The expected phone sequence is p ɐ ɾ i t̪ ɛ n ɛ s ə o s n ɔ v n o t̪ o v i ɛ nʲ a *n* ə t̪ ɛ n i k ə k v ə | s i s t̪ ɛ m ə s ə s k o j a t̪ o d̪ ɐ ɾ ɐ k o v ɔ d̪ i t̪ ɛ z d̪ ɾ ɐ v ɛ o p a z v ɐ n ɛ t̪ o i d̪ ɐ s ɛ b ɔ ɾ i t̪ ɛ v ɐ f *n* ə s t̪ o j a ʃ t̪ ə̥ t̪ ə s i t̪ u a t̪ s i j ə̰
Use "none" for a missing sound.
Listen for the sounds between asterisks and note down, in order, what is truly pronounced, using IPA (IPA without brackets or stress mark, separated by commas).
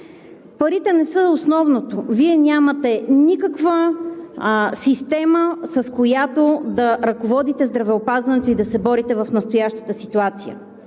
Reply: m, n